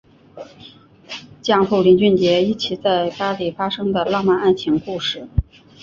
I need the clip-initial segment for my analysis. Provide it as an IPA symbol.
t͡ɕ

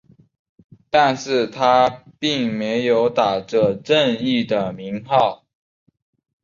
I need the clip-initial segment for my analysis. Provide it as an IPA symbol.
t̪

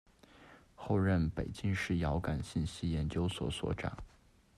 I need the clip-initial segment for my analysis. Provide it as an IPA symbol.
x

